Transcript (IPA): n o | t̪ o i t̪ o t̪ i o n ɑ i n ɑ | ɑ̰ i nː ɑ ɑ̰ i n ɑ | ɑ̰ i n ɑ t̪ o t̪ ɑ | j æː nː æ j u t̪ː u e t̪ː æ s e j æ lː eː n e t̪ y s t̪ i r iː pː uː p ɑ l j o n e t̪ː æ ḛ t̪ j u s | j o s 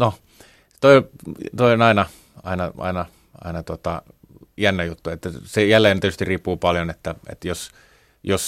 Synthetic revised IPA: n o | t̪ o i t̪ o i o n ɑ i n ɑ | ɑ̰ i n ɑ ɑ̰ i n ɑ | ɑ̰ i n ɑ t̪ o t̪ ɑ | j æ nː æ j u t̪ː u e t̪ː æ s e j æ lː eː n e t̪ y s t̪ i r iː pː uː p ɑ l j o n e t̪ː æ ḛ t̪ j o s | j o s